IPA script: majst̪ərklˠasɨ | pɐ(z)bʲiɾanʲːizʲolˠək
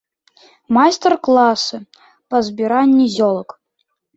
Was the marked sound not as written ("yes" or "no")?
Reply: no